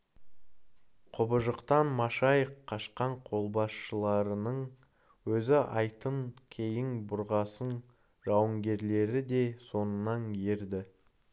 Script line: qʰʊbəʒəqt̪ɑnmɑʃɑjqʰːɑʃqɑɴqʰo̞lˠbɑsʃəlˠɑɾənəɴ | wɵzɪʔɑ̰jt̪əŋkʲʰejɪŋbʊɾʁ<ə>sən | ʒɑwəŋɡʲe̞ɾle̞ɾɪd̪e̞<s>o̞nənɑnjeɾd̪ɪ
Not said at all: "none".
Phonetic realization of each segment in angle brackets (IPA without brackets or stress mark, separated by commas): ɑ, s